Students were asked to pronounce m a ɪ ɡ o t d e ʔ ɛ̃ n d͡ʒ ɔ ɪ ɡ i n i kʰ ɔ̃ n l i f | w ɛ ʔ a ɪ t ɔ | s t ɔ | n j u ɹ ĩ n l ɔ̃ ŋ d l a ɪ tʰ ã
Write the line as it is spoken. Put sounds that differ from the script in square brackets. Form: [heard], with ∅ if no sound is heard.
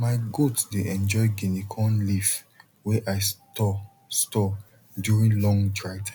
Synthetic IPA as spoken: m a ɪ ɡ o t d e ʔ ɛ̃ n d͡ʒ ɔ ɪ ɡ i n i kʰ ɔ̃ n l i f | w ɛ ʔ a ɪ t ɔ | s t ɔ | [d] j u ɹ ĩ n l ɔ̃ ŋ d [ɹ] a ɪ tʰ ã